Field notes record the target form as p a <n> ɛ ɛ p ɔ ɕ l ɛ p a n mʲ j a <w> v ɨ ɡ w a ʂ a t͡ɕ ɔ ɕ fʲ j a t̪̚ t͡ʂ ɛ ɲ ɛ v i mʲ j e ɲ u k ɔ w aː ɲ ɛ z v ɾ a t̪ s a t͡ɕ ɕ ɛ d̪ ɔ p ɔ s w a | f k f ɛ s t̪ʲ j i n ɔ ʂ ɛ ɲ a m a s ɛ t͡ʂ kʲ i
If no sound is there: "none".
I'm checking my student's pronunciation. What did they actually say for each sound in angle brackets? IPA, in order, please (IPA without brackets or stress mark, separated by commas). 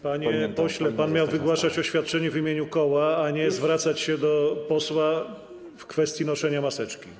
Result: ɲ, w